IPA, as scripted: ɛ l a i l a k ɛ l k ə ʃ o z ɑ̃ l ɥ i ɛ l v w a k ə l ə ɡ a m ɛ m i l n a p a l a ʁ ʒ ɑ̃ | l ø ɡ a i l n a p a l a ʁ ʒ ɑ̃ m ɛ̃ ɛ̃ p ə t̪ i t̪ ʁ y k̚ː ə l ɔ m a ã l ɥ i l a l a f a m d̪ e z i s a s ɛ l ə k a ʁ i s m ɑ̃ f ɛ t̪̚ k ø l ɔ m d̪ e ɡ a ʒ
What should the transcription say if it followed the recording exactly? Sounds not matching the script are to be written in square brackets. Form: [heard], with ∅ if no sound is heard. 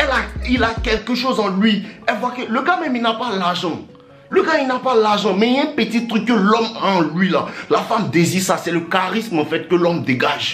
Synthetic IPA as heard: ɛ l a i l a k ɛ l k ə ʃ o z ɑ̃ l ɥ i ɛ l v w a k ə l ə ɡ a m ɛ m i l n a p a l a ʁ ʒ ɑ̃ | l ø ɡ a i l n a p a l a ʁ ʒ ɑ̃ m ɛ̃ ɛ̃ p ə t̪ i t̪ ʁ y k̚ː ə l ɔ m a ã l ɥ i l a l a f a m d̪ e z i s a s ɛ l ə k a ʁ i s m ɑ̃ f ɛ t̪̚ k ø l ɔ m d̪ e ɡ a ʒ